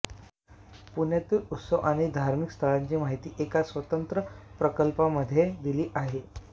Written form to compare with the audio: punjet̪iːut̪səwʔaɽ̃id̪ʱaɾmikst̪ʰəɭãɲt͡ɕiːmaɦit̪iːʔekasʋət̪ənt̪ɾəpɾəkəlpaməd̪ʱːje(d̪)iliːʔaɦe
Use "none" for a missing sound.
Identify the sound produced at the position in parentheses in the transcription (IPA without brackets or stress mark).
d̪